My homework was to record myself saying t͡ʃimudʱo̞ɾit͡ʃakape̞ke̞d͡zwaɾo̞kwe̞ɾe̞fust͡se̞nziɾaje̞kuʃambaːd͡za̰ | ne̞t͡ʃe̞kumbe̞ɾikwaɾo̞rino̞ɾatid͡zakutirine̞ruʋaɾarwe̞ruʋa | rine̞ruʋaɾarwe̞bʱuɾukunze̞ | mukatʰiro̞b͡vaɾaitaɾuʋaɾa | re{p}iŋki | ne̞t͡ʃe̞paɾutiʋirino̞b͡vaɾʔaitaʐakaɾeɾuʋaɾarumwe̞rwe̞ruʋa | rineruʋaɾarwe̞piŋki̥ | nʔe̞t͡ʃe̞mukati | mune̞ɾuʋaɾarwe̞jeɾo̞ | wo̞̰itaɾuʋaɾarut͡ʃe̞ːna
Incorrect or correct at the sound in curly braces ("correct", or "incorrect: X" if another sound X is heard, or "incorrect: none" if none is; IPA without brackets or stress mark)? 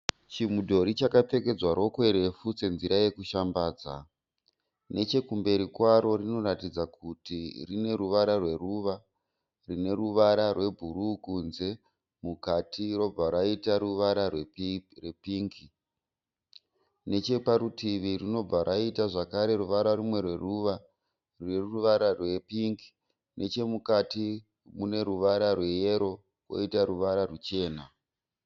correct